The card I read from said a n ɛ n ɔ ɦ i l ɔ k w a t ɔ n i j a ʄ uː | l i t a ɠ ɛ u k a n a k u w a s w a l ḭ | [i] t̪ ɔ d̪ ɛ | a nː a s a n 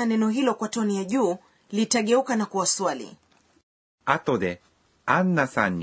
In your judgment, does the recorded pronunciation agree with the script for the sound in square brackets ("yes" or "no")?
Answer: no